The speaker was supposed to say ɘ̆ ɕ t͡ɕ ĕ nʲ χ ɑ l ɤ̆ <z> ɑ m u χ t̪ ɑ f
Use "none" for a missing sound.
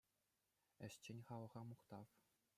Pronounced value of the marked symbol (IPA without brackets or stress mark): ʁ